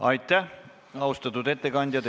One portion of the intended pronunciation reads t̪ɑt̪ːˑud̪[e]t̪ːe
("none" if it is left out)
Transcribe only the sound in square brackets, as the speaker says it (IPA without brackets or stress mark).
e